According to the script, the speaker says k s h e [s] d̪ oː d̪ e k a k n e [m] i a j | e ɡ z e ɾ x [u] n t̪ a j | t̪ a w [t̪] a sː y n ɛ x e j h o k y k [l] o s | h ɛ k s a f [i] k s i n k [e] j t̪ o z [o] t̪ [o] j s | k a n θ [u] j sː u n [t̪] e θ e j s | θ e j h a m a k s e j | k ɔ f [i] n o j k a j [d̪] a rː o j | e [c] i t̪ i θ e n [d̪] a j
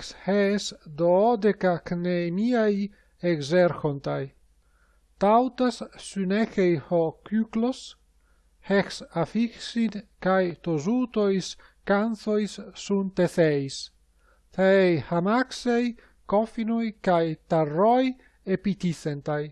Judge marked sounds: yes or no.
yes, yes, no, yes, yes, yes, no, no, yes, no, yes, yes, no, no, no

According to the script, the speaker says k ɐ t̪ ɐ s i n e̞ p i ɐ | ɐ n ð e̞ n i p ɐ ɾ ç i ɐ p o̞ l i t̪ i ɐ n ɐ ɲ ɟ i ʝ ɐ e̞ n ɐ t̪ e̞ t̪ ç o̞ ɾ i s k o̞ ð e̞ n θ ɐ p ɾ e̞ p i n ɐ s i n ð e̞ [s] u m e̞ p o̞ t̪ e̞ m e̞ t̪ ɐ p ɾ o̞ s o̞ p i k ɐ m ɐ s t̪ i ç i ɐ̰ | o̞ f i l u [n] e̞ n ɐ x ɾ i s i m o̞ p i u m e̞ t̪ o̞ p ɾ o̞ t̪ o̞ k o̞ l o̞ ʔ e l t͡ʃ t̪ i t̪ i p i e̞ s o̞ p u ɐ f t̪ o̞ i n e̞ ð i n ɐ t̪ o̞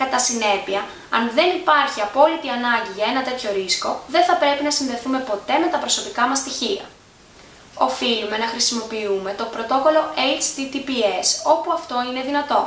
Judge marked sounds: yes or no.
no, no

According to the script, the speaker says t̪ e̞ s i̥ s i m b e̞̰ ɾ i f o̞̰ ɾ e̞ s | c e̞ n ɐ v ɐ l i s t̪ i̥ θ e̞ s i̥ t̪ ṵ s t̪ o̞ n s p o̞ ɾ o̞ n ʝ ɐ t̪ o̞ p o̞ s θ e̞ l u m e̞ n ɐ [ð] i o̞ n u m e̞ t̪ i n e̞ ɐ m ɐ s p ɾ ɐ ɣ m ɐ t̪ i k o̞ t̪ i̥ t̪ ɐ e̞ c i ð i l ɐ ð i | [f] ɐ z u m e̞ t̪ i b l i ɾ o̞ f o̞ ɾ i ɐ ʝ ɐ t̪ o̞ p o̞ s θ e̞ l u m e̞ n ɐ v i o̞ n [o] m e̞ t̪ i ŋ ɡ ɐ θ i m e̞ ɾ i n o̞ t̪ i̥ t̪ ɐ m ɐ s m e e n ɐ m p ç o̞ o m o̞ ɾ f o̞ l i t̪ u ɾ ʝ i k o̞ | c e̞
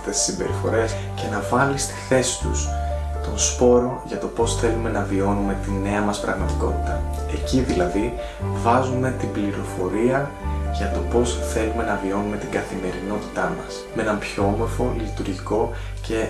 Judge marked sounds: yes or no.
no, no, no

